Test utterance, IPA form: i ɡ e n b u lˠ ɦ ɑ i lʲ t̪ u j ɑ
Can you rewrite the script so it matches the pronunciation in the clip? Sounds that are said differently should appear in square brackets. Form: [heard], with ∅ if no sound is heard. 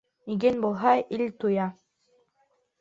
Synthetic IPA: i ɡ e n b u lˠ ɦ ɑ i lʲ t̪ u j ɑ